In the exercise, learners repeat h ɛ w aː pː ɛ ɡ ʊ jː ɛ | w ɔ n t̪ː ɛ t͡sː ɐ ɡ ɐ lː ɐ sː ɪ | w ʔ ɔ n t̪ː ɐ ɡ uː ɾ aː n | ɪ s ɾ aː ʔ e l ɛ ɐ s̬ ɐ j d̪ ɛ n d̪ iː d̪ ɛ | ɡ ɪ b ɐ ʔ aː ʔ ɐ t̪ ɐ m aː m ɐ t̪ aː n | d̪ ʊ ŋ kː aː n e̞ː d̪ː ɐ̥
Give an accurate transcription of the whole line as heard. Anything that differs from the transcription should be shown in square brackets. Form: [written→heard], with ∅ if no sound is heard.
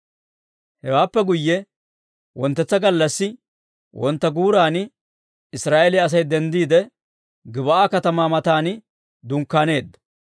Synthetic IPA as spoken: h ɛ w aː pː ɛ ɡ ʊ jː ɛ | w ɔ n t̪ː ɛ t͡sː ɐ ɡ ɐ lː ɐ sː ɪ | w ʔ ɔ n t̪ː ɐ ɡ uː ɾ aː n | ɪ s ɾ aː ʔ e l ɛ ɐ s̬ ɐ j d̪ ɛ n d̪ iː d̪ ɛ | ɡ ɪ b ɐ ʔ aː [ʔ→k] ɐ t̪ ɐ m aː m ɐ t̪ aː n | d̪ ʊ ŋ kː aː n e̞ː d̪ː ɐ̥